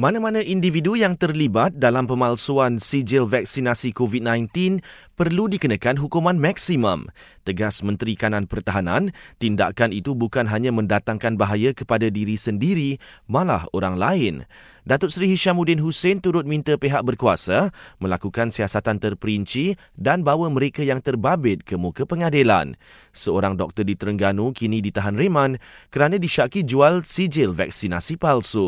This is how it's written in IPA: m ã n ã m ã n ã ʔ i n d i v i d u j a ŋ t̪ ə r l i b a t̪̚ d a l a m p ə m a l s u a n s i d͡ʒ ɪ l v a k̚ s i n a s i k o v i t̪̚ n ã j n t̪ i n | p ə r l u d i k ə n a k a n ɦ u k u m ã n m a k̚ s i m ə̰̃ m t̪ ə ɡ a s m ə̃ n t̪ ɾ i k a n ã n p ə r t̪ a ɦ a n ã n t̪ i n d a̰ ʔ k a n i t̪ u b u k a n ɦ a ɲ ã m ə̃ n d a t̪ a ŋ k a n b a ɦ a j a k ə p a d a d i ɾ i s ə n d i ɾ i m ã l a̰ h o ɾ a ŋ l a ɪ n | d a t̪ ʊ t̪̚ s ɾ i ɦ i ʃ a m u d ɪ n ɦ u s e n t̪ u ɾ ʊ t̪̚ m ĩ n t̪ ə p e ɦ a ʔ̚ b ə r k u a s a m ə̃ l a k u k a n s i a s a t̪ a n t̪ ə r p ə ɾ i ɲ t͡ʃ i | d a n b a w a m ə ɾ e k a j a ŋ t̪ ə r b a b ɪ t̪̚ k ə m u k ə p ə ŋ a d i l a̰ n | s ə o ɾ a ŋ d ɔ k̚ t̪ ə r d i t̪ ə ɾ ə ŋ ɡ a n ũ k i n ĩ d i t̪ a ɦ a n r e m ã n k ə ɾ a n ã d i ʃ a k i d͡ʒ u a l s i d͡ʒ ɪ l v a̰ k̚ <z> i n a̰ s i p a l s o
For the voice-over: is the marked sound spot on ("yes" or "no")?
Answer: no